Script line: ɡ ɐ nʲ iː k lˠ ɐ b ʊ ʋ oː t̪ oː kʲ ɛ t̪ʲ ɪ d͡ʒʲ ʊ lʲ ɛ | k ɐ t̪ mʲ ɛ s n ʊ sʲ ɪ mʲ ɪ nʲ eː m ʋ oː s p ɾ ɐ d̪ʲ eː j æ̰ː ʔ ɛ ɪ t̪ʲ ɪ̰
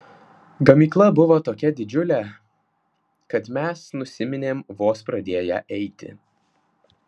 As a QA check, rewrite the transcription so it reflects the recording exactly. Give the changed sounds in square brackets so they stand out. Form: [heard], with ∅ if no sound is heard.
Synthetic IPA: ɡ ɐ [mʲ] iː k lˠ ɐ b ʊ ʋ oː t̪ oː kʲ ɛ [d̪ʲ] ɪ d͡ʒʲ ʊ lʲ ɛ | k ɐ t̪ mʲ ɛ s n ʊ sʲ ɪ mʲ ɪ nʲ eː m ʋ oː s p ɾ ɐ d̪ʲ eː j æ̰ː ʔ ɛ ɪ t̪ʲ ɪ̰

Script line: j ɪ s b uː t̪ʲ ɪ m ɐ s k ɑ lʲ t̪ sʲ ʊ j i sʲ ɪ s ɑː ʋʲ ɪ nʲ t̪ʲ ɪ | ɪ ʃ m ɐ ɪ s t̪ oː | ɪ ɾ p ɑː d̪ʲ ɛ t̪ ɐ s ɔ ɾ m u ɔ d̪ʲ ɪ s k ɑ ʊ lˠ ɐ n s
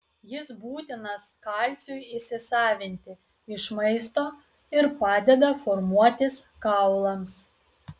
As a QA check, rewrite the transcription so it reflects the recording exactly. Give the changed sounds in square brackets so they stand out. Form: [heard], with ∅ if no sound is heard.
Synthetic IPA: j ɪ s b uː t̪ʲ ɪ [n] ɐ s k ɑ lʲ t̪ sʲ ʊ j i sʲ ɪ s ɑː ʋʲ ɪ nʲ t̪ʲ ɪ | ɪ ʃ m ɐ ɪ s t̪ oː | ɪ ɾ p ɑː d̪ʲ ɛ [d̪] ɐ [f] ɔ ɾ m u ɔ [t̪ʲ] ɪ s k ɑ ʊ lˠ ɐ [m] s

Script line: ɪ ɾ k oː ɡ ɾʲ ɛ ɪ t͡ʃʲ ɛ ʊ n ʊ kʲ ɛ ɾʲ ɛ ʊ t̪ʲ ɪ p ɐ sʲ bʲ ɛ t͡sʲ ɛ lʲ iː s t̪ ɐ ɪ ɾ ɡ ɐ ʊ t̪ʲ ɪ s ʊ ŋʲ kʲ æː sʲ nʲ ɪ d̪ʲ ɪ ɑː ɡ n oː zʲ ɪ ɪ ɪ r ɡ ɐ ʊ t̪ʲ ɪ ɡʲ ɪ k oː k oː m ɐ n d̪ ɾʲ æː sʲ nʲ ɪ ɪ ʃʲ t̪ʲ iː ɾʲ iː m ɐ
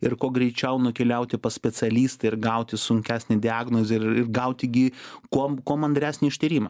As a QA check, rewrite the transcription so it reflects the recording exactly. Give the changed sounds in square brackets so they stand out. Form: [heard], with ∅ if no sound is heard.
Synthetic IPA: ɪ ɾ k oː ɡ ɾʲ ɛ ɪ t͡ʃʲ ɛ ʊ n ʊ kʲ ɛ [lʲ] ɛ ʊ t̪ʲ ɪ p ɐ sʲ [pʲ] ɛ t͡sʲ ɛ lʲ iː s t̪ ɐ ɪ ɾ ɡ ɐ ʊ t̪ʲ ɪ s ʊ ŋʲ kʲ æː sʲ nʲ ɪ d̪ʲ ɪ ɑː ɡ n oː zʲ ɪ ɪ ɪ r ɡ ɐ ʊ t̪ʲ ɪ ɡʲ ɪ k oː k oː m ɐ n d̪ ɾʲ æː sʲ nʲ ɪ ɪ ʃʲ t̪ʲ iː ɾʲ iː m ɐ

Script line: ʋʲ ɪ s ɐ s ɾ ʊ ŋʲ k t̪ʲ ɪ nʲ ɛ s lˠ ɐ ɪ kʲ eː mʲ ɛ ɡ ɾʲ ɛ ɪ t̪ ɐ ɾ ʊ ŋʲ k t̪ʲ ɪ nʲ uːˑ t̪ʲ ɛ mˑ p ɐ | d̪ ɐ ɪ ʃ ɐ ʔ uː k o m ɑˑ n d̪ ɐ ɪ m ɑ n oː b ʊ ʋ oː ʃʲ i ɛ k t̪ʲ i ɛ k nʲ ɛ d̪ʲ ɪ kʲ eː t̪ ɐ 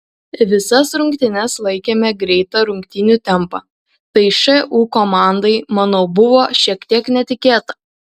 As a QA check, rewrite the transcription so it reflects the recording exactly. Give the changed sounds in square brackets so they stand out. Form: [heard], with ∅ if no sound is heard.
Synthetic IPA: ʋʲ ɪ s ɐ s ɾ ʊ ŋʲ k t̪ʲ ɪ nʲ ɛ s lˠ ɐ ɪ kʲ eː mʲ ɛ ɡ ɾʲ ɛ ɪ t̪ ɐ ɾ ʊ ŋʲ k t̪ʲ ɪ nʲ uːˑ t̪ʲ ɛ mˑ p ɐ | [t̪] ɐ ɪ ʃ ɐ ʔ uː k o m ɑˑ n d̪ ɐ ɪ m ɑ n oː b ʊ ʋ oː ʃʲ i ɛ k t̪ʲ i ɛ k nʲ ɛ [t̪ʲ] ɪ kʲ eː t̪ ɐ

